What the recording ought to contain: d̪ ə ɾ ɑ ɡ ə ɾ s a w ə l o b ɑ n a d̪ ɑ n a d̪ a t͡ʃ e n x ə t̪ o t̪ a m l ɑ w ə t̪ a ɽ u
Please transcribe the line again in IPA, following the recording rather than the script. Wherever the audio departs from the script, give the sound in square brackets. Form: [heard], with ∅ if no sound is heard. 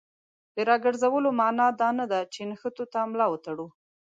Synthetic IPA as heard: d̪ ə ɾ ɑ ɡ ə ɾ [z] a w ə l o [m] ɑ n [ɑ] d̪ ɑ n a d̪ a t͡ʃ e n x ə t̪ o t̪ a m l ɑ w ə t̪ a ɽ u